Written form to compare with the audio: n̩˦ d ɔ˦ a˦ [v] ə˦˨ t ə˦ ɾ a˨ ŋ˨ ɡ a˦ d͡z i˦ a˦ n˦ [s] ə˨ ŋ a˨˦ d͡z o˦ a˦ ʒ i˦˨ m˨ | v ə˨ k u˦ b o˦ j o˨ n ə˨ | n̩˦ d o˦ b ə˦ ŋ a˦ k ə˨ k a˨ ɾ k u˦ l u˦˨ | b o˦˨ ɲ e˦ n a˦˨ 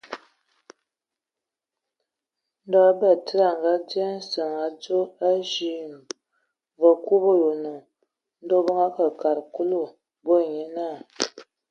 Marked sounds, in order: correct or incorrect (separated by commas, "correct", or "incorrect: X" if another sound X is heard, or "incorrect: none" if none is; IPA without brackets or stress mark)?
incorrect: b, correct